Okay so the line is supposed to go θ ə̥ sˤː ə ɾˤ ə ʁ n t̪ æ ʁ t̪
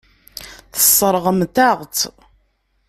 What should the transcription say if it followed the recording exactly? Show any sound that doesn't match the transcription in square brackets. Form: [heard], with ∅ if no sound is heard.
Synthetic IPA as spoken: θ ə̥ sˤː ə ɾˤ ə ʁ [m] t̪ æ ʁ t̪